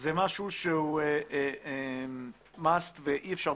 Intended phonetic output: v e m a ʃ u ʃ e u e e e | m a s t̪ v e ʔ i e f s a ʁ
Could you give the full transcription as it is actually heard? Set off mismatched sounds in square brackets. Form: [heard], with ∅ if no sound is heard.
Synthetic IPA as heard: [z] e m a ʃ u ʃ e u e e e | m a s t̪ v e ʔ i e f [ʃ] a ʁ